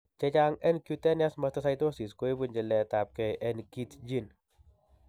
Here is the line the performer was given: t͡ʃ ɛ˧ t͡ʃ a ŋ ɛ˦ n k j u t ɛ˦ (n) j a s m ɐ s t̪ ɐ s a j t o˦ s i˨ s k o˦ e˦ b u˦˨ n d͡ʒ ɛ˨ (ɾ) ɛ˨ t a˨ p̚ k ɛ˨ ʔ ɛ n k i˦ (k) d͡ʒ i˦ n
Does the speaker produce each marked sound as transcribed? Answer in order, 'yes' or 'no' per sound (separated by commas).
yes, no, no